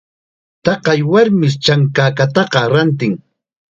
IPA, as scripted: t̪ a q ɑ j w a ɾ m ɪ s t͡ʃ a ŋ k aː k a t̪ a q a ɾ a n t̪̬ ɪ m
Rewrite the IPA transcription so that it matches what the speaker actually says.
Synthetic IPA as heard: t̪ ɑ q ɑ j w a ɾ m ɪ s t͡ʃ a ŋ k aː k a t̪ ɑ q ɑ ɾ a n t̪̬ ɪ ŋ